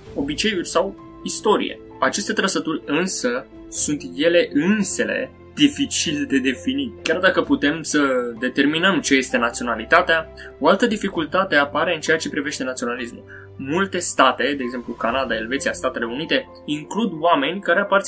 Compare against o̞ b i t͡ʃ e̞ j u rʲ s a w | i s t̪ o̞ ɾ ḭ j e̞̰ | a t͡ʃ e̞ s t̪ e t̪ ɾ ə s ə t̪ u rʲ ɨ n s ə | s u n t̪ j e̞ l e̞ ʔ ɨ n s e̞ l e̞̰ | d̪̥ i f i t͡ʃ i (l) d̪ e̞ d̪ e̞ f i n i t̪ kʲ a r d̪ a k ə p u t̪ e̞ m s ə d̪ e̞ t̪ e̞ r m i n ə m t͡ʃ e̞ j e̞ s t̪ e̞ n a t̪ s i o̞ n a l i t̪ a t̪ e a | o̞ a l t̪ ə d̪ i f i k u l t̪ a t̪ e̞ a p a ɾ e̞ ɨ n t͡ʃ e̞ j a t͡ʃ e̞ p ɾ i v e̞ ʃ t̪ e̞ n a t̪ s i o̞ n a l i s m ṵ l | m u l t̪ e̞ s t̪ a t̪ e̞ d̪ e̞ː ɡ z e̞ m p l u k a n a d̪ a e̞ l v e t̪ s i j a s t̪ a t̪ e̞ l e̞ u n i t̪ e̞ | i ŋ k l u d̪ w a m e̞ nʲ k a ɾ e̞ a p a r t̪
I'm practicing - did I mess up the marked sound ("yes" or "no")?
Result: no